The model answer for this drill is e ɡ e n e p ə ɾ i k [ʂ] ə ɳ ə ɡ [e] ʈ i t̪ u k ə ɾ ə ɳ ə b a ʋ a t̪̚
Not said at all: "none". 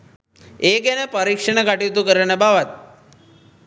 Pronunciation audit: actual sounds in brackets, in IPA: ʂ, a

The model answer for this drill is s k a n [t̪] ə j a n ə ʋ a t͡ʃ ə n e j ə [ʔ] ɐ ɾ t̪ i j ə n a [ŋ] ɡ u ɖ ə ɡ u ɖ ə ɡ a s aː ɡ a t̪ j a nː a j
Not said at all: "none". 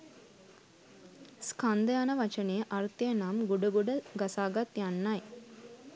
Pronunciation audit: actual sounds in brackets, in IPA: d̪, ʔ, m

